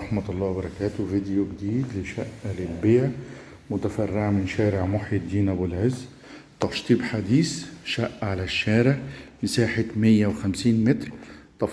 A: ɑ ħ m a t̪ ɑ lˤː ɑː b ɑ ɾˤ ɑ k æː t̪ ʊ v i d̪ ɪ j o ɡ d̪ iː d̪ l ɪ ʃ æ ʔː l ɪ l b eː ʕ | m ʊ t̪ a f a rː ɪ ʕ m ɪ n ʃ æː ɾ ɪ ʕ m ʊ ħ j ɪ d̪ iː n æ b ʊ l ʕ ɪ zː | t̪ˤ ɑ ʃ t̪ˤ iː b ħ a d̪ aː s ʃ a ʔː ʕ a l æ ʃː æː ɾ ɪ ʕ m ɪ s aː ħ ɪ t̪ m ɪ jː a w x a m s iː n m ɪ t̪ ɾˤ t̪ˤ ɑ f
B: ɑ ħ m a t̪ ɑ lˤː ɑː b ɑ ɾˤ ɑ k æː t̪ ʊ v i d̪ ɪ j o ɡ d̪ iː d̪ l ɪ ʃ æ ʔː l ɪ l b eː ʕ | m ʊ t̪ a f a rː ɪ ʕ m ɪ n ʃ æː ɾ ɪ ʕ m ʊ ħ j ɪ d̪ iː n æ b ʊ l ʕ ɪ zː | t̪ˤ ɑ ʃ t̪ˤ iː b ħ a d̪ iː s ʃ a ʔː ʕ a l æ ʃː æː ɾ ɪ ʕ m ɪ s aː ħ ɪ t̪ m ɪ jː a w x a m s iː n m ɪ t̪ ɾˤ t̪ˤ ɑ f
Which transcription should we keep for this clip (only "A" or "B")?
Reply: B